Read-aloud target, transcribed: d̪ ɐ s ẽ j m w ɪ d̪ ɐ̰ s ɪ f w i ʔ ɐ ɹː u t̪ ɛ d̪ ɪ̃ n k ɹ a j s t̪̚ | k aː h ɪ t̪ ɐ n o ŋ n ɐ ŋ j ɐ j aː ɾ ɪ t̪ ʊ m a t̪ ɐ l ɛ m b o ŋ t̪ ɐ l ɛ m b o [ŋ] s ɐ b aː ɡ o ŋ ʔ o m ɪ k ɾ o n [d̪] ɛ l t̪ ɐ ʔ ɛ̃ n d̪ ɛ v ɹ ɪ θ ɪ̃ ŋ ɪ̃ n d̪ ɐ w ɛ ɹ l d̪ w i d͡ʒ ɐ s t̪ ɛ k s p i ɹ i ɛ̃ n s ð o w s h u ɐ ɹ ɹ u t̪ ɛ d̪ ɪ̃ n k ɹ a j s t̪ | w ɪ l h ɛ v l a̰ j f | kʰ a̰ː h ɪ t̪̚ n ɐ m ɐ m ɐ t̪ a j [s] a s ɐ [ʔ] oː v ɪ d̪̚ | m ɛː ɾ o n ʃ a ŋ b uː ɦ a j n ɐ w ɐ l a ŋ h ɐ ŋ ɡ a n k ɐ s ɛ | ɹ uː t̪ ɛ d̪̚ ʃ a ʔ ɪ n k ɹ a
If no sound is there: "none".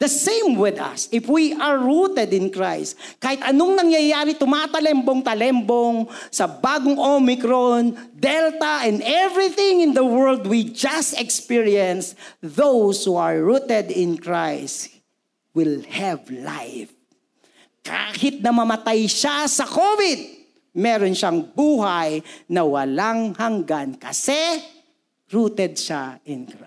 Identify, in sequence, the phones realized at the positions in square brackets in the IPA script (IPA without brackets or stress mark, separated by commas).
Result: ŋ, d̪, ʃ, k